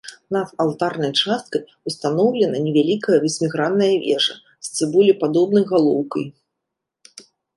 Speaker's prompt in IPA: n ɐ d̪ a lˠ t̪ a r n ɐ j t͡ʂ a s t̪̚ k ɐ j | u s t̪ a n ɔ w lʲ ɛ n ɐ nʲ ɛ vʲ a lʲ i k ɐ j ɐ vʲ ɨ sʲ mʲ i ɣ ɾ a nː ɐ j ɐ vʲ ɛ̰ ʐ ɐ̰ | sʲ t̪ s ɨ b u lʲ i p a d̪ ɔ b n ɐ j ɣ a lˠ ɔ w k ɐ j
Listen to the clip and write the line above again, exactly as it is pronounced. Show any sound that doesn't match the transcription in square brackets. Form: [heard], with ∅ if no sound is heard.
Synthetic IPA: n ɐ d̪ a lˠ t̪ a r n ɐ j t͡ʂ a s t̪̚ k ɐ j | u s t̪ a n ɔ w lʲ ɛ n ɐ nʲ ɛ vʲ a lʲ i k ɐ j ɐ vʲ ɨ sʲ mʲ i ɣ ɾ a nː ɐ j ɐ vʲ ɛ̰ ʐ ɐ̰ | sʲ t̪ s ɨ b u lʲ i p a d̪ ɔ b n ɐ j ɣ a lˠ ɔ w k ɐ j